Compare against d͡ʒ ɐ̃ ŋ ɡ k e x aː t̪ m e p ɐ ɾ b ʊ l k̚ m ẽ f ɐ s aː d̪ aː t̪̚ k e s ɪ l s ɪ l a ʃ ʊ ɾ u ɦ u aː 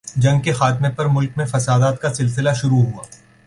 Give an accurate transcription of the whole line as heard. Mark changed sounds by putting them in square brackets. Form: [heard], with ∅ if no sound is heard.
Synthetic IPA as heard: d͡ʒ ɐ̃ ŋ ɡ k e x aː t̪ m e p ɐ ɾ [m] ʊ l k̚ m ẽ f ɐ s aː d̪ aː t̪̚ k [a] s ɪ l s ɪ l a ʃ ʊ ɾ u ɦ u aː